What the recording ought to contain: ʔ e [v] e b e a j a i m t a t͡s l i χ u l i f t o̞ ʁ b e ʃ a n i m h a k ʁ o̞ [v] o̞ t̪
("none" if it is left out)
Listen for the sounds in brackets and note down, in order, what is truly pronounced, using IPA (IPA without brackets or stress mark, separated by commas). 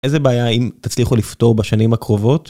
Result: z, v